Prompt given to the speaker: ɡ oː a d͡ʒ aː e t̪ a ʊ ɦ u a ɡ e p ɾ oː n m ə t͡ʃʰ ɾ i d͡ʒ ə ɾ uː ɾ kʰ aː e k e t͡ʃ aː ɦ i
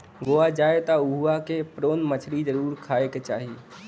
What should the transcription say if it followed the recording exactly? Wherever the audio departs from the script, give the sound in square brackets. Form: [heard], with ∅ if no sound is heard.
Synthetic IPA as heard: ɡ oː a d͡ʒ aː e t̪ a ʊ ɦ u a [k] e p ɾ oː n m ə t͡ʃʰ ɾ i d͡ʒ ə ɾ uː ɾ kʰ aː e k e t͡ʃ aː ɦ i